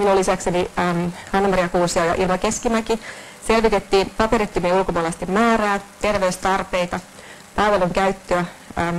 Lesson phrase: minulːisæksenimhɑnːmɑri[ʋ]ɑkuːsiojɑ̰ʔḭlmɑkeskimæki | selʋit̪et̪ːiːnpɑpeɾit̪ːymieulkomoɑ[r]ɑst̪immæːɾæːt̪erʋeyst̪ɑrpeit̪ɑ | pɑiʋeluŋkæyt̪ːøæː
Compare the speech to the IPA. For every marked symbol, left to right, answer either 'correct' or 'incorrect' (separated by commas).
incorrect, incorrect